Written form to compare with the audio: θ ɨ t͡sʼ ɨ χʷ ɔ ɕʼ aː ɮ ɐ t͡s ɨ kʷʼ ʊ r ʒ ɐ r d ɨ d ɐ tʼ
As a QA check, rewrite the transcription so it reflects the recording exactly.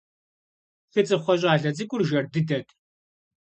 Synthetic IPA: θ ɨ t͡sʼ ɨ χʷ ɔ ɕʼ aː ɮ ɐ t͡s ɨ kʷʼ ʊ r ʒ ɐ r d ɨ d ɐ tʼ